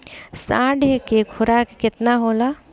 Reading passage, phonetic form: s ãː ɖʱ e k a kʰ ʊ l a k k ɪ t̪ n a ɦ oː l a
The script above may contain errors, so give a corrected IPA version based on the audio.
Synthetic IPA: s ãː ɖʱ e k e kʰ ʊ ɾ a k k ɪ t̪ n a ɦ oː l a